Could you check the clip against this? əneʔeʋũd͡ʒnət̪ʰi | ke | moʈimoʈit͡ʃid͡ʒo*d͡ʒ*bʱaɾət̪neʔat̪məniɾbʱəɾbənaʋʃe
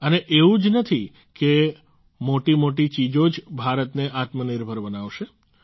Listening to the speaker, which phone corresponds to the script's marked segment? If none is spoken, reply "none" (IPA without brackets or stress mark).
d͡ʒ